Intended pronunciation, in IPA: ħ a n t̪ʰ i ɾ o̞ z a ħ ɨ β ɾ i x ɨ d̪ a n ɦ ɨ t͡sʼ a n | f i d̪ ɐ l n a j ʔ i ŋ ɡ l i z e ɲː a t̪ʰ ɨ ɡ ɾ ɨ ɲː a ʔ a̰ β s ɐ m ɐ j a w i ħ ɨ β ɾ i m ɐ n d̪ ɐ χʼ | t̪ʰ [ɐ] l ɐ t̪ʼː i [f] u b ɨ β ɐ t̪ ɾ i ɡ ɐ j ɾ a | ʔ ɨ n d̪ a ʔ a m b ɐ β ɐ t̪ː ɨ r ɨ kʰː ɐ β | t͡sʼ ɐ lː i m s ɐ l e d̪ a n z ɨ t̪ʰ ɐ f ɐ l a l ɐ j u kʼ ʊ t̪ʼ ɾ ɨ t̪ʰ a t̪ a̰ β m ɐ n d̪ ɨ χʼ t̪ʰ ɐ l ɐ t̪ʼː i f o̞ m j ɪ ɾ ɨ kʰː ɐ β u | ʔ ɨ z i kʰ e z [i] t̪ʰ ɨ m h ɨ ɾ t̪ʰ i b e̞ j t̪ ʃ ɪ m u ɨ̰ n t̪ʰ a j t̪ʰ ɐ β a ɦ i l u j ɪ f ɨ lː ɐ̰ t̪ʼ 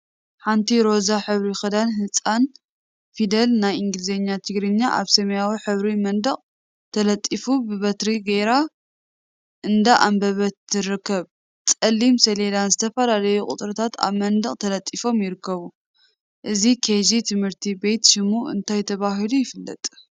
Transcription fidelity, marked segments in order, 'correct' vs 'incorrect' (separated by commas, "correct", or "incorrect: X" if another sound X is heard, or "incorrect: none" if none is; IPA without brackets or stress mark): correct, correct, correct